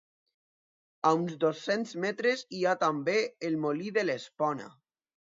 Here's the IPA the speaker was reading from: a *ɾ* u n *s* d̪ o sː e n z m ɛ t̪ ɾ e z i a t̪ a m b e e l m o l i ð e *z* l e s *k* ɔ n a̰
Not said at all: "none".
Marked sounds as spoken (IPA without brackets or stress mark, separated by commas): none, z, none, p